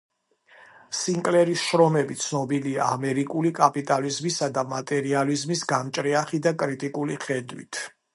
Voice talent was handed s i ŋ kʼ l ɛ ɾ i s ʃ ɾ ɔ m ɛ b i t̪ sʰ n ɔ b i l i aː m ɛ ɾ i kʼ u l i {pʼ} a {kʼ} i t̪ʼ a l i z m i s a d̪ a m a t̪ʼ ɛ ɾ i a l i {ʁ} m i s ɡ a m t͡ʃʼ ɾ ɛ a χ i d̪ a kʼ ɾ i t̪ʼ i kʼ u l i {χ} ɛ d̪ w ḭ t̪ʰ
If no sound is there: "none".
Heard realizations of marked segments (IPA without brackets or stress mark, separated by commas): kʼ, pʼ, z, χ